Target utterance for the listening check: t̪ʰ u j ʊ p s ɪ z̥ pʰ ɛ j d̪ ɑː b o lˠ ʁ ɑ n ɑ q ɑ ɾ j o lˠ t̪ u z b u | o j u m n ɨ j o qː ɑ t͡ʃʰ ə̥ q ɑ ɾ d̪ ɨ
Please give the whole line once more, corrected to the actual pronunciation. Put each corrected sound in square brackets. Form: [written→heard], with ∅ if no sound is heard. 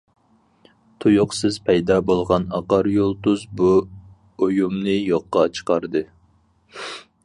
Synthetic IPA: t̪ʰ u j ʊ [p→q] s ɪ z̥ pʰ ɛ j d̪ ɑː b o lˠ ʁ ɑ n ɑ q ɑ ɾ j o lˠ t̪ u z b u | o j u m n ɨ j o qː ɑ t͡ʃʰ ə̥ q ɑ ɾ d̪ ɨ